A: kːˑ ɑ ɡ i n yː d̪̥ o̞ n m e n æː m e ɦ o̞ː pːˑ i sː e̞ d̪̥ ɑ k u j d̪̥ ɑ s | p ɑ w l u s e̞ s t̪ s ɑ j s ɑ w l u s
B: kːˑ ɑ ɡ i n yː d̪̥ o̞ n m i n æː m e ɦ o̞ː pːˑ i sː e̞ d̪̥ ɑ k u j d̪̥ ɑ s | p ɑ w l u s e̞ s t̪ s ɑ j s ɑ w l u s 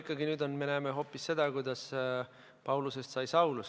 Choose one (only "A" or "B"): A